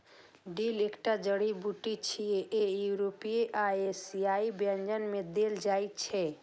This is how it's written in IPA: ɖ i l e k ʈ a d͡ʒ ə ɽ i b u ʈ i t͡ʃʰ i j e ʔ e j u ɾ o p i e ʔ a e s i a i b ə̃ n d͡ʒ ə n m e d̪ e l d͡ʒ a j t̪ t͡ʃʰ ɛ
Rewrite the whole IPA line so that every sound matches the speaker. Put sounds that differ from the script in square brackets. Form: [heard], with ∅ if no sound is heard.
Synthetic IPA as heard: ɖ i l e k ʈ a d͡ʒ ə ɽ i b u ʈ i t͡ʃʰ i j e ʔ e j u ɾ o p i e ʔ a e s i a i b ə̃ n d͡ʒ ə n m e d̪ e l d͡ʒ a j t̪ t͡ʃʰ ɛ